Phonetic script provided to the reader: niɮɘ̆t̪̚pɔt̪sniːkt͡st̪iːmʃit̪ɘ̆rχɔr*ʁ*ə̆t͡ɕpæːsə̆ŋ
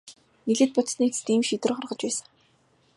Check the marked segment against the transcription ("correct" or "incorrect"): correct